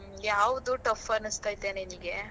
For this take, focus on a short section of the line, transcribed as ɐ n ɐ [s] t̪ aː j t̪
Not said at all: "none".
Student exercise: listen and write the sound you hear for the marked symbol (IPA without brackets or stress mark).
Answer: s